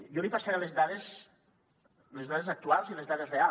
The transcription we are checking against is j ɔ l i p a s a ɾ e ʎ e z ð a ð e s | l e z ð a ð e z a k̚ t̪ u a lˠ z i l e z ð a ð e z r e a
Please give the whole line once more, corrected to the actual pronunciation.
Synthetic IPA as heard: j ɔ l i p a s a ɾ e l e z ð a ð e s | l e z ð a ð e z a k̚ t̪ u a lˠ z i l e z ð a ð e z r e a